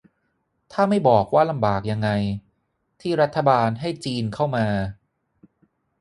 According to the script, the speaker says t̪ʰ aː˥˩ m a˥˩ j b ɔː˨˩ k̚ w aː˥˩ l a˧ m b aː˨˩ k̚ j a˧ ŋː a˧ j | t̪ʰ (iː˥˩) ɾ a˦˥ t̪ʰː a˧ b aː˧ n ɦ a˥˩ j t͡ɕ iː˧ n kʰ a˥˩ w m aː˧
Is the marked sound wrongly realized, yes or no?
no